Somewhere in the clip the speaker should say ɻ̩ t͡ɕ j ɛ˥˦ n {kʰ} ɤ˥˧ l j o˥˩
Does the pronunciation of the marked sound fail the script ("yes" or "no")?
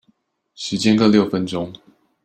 yes